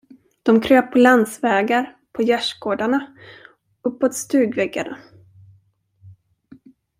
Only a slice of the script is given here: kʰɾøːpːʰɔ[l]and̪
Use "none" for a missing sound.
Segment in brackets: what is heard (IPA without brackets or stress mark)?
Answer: l